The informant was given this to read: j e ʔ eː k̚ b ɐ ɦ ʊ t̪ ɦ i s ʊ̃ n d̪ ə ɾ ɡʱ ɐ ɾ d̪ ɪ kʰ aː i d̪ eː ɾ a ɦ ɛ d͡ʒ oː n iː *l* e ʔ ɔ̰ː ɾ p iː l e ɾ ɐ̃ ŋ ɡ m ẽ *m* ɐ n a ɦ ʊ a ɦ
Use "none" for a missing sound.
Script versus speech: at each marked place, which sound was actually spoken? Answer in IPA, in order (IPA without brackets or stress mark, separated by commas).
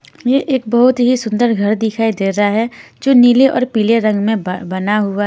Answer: l, b